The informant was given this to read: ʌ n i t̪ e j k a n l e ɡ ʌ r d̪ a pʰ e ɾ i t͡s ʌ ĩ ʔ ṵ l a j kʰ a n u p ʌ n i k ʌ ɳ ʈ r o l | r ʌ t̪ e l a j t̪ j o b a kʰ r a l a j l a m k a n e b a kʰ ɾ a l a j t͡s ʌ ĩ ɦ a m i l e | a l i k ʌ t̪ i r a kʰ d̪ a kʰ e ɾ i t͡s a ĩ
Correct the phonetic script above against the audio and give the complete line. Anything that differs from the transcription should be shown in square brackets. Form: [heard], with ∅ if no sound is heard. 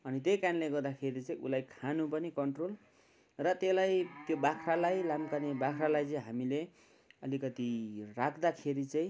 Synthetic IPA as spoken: ʌ n i t̪ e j k a n l e ɡ ʌ r d̪ a [kʰ] e ɾ i t͡s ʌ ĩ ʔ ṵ l a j kʰ a n u p ʌ n i k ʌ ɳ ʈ r o l | r ʌ t̪ e l a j t̪ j o b a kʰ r a l a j l a m k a n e b a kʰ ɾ a l a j t͡s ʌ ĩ ɦ a m i l e | [ʌ] l i k ʌ t̪ i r a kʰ d̪ a kʰ e ɾ i t͡s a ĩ